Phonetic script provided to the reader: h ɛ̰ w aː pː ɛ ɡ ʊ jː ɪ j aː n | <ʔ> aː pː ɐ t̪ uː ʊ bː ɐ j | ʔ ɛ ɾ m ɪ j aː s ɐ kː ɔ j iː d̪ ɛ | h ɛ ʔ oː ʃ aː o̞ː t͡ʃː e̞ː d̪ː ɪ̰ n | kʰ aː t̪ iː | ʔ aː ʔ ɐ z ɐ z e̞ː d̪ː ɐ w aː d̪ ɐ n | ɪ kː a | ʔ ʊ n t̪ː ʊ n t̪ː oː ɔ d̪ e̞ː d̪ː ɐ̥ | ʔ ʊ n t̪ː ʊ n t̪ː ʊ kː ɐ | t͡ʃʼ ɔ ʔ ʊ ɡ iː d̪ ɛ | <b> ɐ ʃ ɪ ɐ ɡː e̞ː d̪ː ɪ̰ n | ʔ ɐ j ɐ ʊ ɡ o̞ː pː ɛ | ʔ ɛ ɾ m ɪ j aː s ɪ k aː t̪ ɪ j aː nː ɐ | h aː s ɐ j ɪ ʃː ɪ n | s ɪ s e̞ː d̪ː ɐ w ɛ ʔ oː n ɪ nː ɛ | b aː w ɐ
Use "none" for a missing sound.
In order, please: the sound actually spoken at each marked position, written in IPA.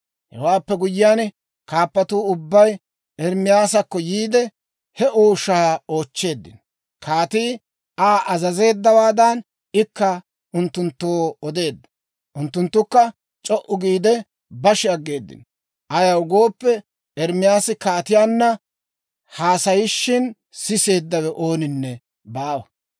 k, b

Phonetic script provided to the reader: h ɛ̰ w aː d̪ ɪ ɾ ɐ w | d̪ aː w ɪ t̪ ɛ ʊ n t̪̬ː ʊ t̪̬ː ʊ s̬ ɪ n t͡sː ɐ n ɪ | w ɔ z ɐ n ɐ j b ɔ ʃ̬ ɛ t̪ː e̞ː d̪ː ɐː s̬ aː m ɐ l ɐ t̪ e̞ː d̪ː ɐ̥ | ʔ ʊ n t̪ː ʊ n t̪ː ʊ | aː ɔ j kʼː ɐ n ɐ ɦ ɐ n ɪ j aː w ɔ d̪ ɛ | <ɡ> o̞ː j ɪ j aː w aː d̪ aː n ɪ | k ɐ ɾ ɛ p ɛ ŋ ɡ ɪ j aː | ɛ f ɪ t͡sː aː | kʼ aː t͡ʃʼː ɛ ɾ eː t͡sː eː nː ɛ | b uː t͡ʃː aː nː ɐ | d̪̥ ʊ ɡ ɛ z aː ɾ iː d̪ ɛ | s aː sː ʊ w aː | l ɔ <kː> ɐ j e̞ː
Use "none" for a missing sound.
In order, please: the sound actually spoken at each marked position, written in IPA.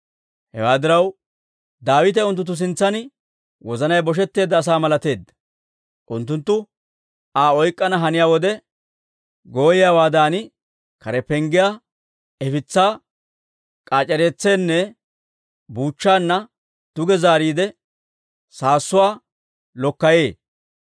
ɡ, kː

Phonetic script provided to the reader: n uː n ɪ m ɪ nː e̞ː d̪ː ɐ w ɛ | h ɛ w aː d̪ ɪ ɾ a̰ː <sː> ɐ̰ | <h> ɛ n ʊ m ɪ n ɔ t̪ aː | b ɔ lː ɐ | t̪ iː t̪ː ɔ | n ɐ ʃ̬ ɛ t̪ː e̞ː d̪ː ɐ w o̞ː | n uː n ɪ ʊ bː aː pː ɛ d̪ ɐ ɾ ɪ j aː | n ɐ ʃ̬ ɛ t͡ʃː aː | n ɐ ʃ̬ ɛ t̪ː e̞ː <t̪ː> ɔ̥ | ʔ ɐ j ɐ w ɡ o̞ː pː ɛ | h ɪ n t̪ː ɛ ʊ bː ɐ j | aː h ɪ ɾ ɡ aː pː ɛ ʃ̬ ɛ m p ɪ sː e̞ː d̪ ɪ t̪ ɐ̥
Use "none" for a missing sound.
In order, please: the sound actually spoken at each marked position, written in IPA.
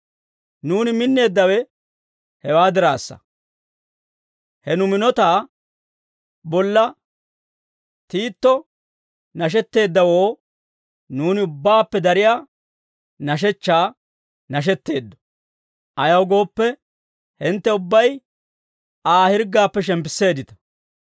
sː, h, d̪ː

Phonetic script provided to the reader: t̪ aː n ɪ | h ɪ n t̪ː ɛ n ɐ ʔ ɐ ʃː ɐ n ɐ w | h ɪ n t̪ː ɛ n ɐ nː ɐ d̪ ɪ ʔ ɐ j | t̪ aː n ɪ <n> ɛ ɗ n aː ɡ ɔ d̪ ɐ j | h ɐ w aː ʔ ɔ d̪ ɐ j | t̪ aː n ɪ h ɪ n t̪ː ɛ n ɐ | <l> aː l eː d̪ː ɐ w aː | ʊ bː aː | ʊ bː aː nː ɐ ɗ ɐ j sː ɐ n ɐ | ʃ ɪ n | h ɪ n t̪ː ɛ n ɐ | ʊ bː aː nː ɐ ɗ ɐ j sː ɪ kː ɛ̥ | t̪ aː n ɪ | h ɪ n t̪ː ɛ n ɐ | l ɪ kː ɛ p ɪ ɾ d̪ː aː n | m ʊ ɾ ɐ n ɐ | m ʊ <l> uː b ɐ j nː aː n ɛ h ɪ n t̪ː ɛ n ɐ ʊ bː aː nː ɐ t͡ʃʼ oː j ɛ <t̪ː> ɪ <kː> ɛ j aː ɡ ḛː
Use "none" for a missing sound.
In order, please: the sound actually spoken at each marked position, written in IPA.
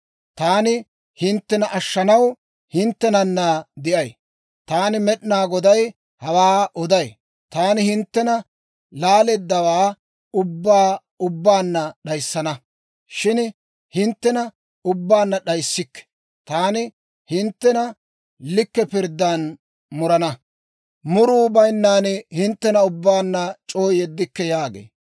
m, l, ɾ, d̪ː, kː

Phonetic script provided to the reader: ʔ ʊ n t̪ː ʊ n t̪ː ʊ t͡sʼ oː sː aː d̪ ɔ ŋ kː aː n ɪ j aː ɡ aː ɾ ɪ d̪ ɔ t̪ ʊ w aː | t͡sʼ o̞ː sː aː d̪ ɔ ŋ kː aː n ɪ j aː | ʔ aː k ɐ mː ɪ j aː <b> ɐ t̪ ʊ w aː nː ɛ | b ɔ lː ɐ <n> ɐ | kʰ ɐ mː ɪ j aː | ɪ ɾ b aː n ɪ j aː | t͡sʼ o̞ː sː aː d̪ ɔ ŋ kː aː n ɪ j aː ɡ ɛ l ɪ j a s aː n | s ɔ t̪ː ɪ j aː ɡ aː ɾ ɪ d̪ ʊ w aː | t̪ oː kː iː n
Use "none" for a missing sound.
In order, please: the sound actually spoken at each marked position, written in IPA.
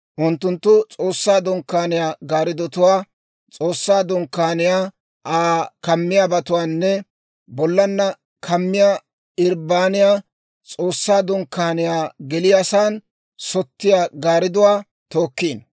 b, nː

